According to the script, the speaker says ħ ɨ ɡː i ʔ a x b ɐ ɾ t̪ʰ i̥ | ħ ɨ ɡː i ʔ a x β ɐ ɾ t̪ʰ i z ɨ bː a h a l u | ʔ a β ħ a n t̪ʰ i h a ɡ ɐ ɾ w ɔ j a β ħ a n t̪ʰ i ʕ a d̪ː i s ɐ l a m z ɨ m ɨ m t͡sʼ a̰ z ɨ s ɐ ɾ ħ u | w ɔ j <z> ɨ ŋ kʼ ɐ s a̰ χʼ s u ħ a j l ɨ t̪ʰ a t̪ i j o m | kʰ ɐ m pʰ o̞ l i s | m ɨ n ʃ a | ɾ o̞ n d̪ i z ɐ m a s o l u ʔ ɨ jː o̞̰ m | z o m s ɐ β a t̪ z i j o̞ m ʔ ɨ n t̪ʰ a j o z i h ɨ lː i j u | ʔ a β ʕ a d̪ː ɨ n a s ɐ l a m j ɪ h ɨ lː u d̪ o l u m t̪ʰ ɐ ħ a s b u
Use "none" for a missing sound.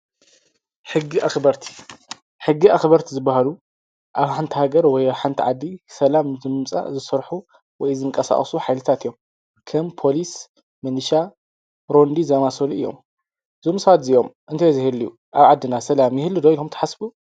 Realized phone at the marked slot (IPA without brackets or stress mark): z